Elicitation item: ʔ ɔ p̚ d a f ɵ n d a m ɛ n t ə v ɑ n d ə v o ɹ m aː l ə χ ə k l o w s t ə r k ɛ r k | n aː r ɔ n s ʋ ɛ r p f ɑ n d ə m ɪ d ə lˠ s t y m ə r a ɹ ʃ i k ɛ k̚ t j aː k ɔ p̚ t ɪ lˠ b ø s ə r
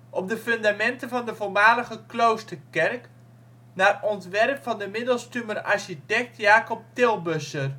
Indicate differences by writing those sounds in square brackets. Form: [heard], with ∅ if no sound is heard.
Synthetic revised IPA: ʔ ɔ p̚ d [ə] f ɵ n d a m ɛ n t ə v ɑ n d ə v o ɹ m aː l ə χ ə k l o w s t ə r k ɛ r k | n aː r ɔ n [t] ʋ ɛ r p f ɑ n d ə m ɪ d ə lˠ s t y m ə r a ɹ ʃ i [t] ɛ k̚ t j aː k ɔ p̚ t ɪ lˠ b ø s ə r

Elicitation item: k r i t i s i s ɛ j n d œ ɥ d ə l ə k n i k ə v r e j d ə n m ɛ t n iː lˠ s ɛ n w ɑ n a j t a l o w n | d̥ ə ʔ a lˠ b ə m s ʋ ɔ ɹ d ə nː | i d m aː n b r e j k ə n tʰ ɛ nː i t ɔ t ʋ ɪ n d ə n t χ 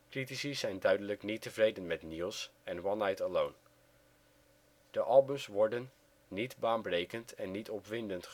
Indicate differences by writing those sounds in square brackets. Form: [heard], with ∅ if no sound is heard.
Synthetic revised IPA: k r i t i s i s ɛ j n d œ ɥ d ə l ə k n i [t] ə v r e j d ə n m ɛ t n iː lˠ s ɛ n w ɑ n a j t [ə] l o w n | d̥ ə ʔ [ɑ] lˠ b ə m s ʋ ɔ ɹ d ə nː | i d [b] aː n b r e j k ə n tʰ ɛ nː i t ɔ [p] ʋ ɪ n d ə n t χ

